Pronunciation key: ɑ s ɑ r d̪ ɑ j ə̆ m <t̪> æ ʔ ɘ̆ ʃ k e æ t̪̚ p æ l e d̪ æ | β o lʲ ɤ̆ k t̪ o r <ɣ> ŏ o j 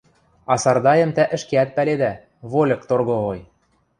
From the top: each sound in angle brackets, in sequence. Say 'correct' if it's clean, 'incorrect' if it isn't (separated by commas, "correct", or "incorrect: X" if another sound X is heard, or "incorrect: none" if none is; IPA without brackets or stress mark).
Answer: correct, correct